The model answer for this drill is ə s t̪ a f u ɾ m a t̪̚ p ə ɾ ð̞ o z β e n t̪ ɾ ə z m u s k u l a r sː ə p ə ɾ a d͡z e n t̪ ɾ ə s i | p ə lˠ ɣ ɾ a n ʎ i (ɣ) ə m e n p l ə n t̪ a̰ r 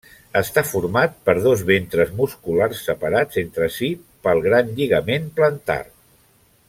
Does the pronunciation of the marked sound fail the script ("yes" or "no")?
no